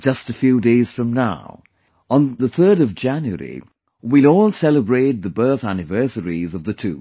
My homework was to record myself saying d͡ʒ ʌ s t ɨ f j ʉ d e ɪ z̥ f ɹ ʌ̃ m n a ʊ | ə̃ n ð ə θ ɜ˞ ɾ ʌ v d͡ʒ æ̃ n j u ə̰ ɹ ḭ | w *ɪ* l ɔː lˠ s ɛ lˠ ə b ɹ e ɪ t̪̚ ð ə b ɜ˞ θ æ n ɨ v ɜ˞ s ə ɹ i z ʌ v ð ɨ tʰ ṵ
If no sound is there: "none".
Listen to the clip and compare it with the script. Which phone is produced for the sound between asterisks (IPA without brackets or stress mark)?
i